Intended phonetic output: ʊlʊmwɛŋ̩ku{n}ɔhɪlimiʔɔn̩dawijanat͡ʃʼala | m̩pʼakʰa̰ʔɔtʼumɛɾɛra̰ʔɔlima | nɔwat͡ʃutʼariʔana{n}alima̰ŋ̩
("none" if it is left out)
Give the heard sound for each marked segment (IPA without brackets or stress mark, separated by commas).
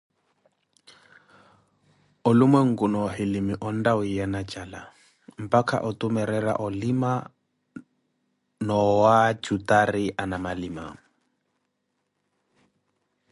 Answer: n, m